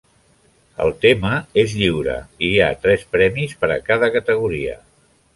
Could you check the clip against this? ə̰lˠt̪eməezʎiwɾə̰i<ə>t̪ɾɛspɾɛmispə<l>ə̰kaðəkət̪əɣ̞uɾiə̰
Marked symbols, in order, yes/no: no, no

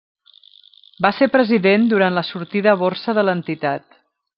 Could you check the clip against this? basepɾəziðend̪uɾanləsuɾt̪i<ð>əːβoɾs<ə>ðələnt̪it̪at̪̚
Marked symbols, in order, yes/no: yes, yes

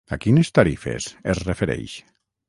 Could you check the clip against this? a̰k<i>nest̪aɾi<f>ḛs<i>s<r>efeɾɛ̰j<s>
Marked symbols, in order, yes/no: yes, yes, no, yes, no

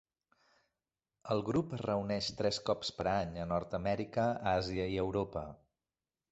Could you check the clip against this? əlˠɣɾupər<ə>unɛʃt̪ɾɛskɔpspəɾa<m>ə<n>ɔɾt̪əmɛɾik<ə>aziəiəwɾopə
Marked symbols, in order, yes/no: yes, no, yes, yes

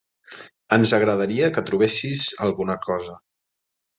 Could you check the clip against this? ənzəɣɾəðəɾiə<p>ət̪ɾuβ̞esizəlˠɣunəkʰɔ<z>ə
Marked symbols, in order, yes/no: no, yes

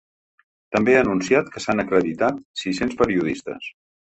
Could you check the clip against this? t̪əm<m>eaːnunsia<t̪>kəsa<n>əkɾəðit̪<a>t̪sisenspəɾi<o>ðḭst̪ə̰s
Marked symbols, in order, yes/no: no, yes, yes, yes, no

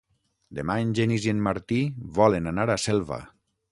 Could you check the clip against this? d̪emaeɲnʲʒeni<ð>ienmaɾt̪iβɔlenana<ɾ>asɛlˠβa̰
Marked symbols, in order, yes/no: no, yes

